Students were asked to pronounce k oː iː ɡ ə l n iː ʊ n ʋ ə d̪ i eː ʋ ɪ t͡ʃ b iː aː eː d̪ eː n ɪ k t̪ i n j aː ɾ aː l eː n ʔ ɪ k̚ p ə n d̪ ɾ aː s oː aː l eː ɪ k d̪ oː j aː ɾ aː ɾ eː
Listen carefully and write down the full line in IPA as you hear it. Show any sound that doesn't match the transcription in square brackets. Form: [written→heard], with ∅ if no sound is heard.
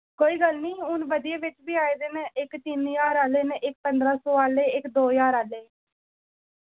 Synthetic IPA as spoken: k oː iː ɡ ə l n iː ʊ n ʋ ə d̪ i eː ʋ ɪ t͡ʃ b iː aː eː d̪ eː n ɪ k t̪ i n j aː ɾ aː l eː n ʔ ɪ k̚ p ə n d̪ ɾ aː s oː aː l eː ɪ k d̪ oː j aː ɾ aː [ɾ→l] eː

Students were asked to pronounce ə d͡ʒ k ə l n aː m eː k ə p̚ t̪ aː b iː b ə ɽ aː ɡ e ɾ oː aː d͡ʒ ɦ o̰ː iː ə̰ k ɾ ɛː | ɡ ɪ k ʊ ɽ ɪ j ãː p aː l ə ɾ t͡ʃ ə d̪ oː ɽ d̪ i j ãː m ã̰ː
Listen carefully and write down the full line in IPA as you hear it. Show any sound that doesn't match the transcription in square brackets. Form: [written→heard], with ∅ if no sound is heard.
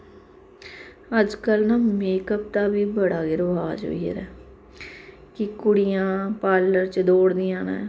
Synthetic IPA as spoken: ə d͡ʒ k ə l n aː m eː k ə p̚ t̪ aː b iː b ə ɽ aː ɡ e ɾ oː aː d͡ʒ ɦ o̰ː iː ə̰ [k→∅] ɾ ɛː | [ɡ→k] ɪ k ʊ ɽ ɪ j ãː p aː l ə ɾ t͡ʃ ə d̪ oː ɽ d̪ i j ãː [m→n] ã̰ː

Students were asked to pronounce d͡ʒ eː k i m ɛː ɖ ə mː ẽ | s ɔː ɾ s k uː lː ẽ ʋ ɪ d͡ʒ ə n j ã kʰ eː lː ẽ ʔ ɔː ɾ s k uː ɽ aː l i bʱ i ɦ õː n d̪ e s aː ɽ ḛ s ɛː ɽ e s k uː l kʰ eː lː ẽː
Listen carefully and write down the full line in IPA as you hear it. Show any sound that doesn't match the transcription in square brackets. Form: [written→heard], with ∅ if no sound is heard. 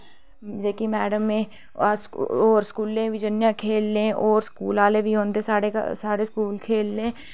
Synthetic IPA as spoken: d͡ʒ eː k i m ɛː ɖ ə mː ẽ | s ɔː ɾ s k uː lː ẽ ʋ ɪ d͡ʒ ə n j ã kʰ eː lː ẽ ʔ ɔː ɾ s k uː [ɽ→l] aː l [i→e] bʱ i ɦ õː n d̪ e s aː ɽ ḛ s [ɛː→aː] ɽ e s k uː l kʰ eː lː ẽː

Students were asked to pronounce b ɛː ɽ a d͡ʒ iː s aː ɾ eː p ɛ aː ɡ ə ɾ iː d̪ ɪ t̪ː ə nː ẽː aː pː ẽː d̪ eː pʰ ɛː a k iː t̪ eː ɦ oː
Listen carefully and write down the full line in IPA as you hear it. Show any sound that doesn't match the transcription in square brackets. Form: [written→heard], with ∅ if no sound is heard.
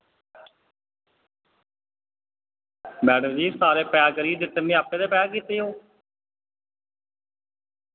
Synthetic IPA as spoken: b ɛː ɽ [a→ə] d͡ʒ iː s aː ɾ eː p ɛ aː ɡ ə ɾ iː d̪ ɪ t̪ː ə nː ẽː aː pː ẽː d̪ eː [pʰ→p] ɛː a k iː t̪ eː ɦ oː

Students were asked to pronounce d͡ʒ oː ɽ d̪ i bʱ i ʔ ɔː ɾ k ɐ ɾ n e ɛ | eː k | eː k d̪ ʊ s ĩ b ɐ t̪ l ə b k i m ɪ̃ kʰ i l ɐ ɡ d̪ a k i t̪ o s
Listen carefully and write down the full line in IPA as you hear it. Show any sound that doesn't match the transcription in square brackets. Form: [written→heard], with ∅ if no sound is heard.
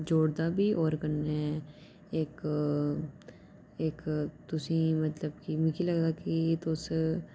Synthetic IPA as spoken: d͡ʒ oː ɽ d̪ [i→a] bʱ i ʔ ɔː ɾ k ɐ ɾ n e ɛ | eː k | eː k [d̪→t̪] ʊ s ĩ [b→m] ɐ t̪ l ə b k i m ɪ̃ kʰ i l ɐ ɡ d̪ a k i t̪ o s

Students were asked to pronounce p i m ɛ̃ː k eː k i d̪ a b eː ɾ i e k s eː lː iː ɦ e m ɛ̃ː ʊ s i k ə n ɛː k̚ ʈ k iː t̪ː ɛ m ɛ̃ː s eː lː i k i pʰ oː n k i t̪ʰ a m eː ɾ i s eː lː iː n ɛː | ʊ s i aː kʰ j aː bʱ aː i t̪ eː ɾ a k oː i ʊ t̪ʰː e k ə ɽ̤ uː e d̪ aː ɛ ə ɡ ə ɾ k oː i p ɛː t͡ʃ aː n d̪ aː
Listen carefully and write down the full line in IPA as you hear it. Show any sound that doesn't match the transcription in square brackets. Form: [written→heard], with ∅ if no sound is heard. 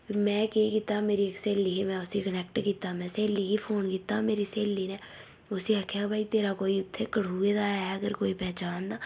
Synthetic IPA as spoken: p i m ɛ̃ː k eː k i [d̪→t̪] a [b→m] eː ɾ i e k s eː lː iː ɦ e m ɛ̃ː ʊ s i k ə n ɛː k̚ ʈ k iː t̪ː [ɛ→a] m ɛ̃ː s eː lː i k i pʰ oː n k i [t̪ʰ→t̪] a m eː ɾ i s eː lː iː n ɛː | ʊ s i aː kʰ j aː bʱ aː i t̪ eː ɾ a k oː i ʊ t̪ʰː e k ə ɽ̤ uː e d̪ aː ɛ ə ɡ ə ɾ k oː i p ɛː t͡ʃ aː n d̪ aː

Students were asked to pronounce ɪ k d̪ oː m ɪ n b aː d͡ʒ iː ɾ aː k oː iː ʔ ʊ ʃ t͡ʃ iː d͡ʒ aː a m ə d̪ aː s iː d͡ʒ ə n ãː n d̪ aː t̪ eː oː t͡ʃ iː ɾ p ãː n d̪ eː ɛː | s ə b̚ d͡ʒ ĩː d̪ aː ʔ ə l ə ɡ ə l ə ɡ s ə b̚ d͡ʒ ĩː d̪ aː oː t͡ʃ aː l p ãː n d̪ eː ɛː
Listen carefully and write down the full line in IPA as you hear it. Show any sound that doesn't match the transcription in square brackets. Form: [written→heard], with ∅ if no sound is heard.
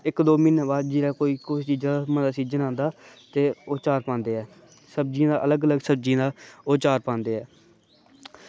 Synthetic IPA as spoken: ɪ k d̪ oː m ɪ n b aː d͡ʒ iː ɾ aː k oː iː [ʔ→k] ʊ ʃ t͡ʃ iː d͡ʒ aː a m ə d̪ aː s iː d͡ʒ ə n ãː n d̪ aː t̪ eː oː t͡ʃ [iː→aː] ɾ p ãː n d̪ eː ɛː | s ə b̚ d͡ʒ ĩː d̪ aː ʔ ə l ə ɡ ə l ə ɡ s ə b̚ d͡ʒ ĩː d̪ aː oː t͡ʃ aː [l→ɾ] p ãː n d̪ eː ɛː

